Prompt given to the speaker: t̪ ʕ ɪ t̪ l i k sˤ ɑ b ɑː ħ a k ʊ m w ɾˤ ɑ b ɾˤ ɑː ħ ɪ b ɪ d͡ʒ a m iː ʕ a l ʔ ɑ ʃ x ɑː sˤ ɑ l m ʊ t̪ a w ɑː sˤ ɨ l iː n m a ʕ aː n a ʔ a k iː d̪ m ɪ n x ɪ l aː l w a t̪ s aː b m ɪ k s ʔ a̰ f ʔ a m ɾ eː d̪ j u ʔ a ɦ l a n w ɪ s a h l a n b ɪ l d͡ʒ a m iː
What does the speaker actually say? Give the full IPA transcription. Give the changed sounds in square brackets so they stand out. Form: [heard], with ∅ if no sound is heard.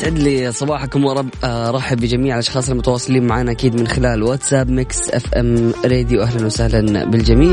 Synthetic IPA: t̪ ʕ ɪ [d̪] l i [∅] sˤ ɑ b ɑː ħ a k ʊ m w ɾˤ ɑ b ɾˤ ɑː ħ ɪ b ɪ d͡ʒ a m iː ʕ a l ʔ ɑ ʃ x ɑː sˤ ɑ l m ʊ t̪ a w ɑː sˤ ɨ l iː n m a ʕ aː n a ʔ a k iː d̪ m ɪ n x ɪ l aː l w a t̪ s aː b m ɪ k s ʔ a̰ f ʔ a m ɾ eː d̪ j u ʔ a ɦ l a n w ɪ s a h l a n b ɪ l d͡ʒ a m iː